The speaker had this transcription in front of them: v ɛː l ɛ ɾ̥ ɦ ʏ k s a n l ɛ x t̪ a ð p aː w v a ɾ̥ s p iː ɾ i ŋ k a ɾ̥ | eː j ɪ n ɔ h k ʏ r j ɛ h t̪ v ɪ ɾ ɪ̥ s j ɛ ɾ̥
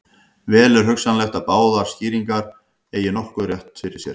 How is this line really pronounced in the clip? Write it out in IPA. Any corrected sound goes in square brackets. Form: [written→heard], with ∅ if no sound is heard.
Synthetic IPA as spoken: v ɛː l ɛ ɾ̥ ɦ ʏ k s a n l ɛ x t̪ a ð p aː w [v→ð] a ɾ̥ s [p→c] iː ɾ i ŋ k a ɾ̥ | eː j ɪ n ɔ h k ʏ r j ɛ h t̪ [v→f] ɪ ɾ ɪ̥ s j ɛ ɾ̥